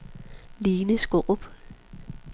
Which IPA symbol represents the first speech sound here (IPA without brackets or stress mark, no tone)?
l